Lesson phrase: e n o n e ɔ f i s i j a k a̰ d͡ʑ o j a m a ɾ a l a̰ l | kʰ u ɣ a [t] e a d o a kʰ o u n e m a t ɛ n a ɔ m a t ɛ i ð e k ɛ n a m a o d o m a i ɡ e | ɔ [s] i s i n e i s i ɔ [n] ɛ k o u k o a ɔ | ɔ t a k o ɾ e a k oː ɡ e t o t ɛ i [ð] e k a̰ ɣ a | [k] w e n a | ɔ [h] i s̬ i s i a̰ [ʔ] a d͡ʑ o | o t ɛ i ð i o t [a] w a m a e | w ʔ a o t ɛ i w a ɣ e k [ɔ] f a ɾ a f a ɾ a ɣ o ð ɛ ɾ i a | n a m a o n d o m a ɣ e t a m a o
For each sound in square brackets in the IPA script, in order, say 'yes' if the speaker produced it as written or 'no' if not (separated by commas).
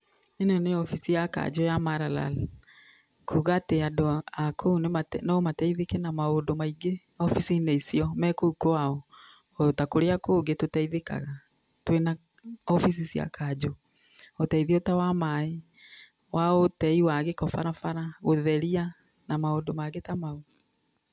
yes, no, no, yes, no, no, no, yes, yes